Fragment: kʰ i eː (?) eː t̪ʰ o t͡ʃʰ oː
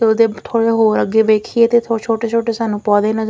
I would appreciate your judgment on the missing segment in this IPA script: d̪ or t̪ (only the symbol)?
t̪